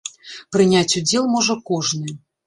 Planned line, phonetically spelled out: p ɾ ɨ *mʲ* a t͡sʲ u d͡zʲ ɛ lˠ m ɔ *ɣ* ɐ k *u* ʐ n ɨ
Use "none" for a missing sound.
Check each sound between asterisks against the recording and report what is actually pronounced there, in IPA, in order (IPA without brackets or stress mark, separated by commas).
nʲ, ʐ, ɔ